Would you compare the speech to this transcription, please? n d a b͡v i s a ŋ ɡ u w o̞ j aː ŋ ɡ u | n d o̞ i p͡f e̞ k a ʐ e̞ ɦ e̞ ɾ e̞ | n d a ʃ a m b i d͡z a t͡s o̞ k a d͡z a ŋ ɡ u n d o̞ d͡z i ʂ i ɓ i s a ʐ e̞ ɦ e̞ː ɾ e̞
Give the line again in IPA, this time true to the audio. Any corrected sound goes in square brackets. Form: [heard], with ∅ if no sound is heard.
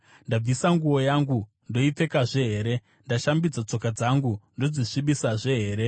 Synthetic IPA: n d a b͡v i s a ŋ ɡ u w o̞ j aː ŋ ɡ u | n d o̞ i p͡f e̞ k a ʐ e̞ ɦ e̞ ɾ e̞ | n d a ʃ a m b i d͡z a t͡s o̞ k a d͡z a ŋ ɡ u n d o̞ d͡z i ʂ i ɓ i s a ʐ e̞ ɦ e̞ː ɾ e̞